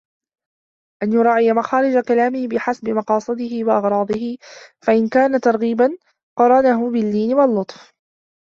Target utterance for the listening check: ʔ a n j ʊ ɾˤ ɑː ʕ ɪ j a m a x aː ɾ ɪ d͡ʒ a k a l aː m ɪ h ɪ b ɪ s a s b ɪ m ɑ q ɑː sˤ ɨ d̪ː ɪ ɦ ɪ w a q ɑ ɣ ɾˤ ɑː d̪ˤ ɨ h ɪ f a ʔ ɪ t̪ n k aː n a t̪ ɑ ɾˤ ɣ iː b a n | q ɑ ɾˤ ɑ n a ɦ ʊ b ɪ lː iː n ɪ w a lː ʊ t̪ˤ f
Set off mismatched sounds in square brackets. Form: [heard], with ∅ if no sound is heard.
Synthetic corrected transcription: ʔ a n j ʊ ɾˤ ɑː ʕ ɪ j a m a x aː ɾ ɪ d͡ʒ a k a l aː m ɪ h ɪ b ɪ [ħ] a s b ɪ m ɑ q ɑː sˤ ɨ [d̪] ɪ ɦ ɪ w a [ʔ] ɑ ɣ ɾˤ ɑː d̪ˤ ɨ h ɪ f a ʔ ɪ [∅] n k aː n a t̪ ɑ ɾˤ ɣ iː b a n | q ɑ ɾˤ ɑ n a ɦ ʊ b ɪ lː iː n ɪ w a lː ʊ t̪ˤ f